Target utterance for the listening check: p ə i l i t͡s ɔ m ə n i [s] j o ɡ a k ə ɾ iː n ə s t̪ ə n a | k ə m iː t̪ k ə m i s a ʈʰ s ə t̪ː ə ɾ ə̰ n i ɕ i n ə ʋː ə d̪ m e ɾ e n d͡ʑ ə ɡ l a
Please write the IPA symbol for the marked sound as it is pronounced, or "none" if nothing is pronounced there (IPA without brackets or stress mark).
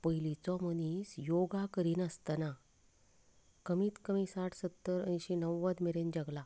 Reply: s